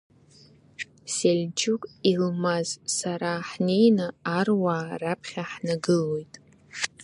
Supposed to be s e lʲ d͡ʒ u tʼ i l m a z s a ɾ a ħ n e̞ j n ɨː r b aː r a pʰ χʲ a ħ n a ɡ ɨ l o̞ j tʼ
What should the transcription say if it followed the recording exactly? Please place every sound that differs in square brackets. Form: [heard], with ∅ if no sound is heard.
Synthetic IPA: s e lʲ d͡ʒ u [kʼ] i l m a z s a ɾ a ħ n e̞ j n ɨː r [w] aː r a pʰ χʲ a ħ n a ɡ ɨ l o̞ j tʼ